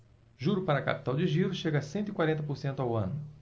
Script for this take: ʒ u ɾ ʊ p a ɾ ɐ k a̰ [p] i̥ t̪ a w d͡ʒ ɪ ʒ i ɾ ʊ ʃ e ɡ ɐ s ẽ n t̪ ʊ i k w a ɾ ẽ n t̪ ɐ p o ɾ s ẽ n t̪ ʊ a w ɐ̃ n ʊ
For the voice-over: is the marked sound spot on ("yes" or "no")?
yes